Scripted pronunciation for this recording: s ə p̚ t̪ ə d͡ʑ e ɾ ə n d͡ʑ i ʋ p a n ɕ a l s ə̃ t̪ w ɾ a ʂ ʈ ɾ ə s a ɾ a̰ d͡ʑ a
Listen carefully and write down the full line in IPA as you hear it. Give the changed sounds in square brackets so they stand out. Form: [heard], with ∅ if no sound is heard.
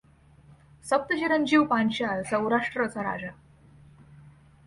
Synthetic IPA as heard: s ə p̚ t̪ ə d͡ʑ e ɾ ə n d͡ʑ i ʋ p a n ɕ a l s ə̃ [∅] w ɾ a ʂ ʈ ɾ ə [t͡s] a ɾ a̰ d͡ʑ a

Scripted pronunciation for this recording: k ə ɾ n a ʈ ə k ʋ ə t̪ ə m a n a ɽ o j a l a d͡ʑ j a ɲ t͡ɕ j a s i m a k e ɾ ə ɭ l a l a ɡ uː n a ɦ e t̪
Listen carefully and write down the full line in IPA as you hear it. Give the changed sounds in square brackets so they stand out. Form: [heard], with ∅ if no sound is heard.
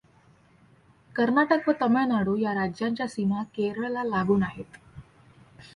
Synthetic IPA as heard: k ə ɾ n a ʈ ə k ʋ ə t̪ ə m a n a ɽ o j a [ɾ] a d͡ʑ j a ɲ t͡ɕ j a s i m a k e ɾ ə ɭ l a l a ɡ uː n a ɦ e t̪

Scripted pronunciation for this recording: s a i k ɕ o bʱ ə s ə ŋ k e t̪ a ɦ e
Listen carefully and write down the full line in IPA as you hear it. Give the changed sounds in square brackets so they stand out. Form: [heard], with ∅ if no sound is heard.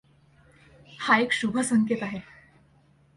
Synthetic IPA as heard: [h] a [e] k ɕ [u] bʱ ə s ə ŋ k e t̪ a ɦ e

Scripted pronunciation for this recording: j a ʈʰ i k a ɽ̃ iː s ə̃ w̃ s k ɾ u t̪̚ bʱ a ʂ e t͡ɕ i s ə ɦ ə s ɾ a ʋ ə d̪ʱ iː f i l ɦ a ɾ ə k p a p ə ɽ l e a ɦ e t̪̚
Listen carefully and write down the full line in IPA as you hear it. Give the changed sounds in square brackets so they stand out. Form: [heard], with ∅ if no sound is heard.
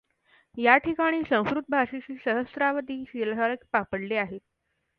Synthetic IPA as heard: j a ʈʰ i k a ɽ̃ iː s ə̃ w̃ s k ɾ u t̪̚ bʱ a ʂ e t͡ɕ [iː] s ə ɦ ə s ɾ a ʋ ə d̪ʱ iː [ɕ] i l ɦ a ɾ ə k p a p ə ɽ l e a ɦ e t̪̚

